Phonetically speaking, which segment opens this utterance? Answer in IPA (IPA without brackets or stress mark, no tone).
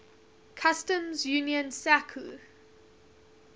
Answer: kʰ